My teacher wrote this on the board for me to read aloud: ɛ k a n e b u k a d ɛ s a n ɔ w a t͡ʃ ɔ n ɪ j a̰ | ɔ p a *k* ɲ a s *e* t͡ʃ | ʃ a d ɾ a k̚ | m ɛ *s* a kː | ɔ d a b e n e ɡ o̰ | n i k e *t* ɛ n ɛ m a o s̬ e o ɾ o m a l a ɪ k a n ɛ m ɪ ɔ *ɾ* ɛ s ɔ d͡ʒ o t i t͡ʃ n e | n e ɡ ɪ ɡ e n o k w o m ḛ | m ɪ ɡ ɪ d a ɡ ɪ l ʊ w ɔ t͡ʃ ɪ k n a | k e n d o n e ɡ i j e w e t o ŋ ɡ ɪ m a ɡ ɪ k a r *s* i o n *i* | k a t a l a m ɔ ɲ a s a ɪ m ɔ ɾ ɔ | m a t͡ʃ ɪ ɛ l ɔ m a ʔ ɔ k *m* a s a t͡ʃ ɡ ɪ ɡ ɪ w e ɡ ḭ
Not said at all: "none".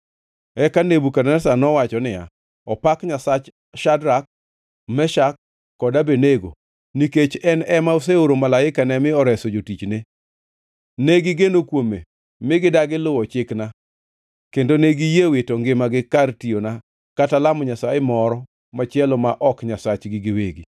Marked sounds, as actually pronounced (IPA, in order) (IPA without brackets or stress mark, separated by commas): k, a, ʃ, t͡ʃ, ɾ, t, a, ɲ